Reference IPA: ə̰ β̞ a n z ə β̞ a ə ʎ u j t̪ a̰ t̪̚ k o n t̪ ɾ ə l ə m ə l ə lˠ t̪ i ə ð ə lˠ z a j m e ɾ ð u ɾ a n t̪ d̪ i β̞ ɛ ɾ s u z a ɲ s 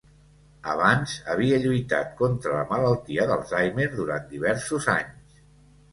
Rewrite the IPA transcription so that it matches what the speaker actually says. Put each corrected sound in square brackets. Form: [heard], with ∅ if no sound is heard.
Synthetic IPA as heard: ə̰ β̞ a n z ə β̞ [i] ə ʎ u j t̪ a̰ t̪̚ k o n t̪ ɾ ə l ə m ə l ə lˠ t̪ i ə ð ə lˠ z a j m e ɾ ð u ɾ a n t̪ d̪ i β̞ ɛ ɾ s u z a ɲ s